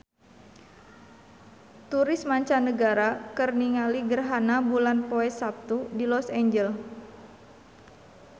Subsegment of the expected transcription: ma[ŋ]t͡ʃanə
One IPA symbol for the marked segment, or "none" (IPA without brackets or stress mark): ɲ